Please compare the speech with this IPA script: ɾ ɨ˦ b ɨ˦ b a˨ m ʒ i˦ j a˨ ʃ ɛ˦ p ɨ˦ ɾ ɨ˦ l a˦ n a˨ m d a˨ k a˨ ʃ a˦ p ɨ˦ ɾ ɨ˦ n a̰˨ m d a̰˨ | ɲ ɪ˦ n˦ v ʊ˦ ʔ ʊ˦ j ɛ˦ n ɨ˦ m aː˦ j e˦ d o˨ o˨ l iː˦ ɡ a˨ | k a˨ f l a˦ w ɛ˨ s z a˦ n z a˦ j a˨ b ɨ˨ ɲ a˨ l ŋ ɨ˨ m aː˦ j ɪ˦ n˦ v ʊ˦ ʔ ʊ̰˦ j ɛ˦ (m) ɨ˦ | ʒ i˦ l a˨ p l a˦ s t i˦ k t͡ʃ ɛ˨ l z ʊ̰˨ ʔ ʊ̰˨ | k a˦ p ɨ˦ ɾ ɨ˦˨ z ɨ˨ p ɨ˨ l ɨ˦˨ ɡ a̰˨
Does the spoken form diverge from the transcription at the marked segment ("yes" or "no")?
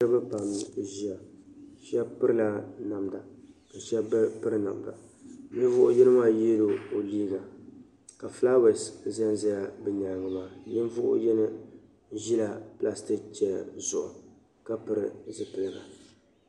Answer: yes